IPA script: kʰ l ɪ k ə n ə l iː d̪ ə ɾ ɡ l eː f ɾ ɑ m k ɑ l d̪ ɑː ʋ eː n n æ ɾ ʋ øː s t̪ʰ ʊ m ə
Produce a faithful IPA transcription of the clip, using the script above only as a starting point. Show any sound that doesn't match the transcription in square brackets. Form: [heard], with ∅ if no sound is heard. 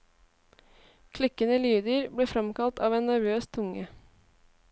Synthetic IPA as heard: kʰ l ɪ k ə n ə l [yː] d̪ ə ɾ [b] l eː f ɾ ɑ m k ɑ l [t̪] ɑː ʋ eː n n æ ɾ ʋ øː s t̪ʰ ʊ [ŋ] ə